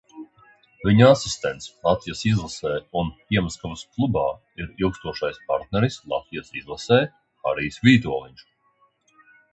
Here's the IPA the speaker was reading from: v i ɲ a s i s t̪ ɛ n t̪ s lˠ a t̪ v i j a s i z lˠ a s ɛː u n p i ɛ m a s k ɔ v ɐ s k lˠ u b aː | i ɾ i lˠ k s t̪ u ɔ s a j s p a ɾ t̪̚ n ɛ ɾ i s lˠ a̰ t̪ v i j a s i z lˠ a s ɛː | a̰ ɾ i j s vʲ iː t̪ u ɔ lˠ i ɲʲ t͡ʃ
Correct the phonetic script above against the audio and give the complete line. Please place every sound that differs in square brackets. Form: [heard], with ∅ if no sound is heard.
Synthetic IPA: v i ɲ a s i s t̪ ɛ n t̪ s lˠ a t̪ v i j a s i z lˠ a s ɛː u n p i ɛ m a s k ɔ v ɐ s k lˠ u b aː | i ɾ i lˠ k s t̪ u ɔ [ʃ] a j s p a ɾ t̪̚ n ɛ ɾ i s lˠ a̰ t̪ v i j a s i z lˠ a s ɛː | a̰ ɾ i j s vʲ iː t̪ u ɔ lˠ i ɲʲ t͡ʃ